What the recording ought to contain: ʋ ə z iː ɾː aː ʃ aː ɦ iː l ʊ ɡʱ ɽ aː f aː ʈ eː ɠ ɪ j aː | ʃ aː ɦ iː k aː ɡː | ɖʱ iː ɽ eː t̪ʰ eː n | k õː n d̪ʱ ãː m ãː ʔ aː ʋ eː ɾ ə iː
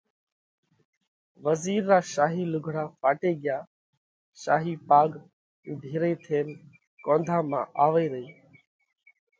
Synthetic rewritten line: ʋ ə z iː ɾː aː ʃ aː ɦ iː l ʊ ɡʱ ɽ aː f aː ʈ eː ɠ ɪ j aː | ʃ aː ɦ iː p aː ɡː | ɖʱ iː ɾ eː t̪ʰ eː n | k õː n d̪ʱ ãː m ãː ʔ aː ʋ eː ɾ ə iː